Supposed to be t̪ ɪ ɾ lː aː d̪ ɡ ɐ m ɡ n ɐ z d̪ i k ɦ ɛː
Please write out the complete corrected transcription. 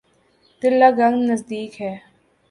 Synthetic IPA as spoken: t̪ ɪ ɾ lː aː ɡ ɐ ŋ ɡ n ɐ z d̪ iː k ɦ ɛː